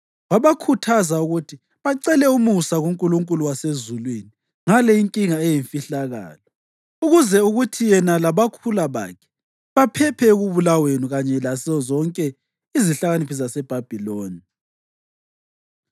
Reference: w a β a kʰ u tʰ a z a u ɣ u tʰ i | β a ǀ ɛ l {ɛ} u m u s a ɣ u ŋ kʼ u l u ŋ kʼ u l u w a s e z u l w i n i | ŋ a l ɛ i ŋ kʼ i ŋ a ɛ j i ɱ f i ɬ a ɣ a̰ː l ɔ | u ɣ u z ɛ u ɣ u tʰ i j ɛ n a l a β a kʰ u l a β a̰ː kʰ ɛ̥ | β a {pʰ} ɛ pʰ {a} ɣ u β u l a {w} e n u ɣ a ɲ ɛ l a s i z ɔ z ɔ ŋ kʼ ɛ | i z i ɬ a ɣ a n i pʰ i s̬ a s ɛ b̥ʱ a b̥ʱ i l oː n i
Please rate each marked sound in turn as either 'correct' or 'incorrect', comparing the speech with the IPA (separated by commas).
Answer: correct, correct, incorrect, correct